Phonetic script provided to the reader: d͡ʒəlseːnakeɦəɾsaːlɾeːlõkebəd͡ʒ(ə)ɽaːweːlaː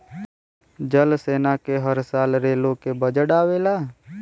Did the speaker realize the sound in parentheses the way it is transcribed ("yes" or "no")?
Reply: yes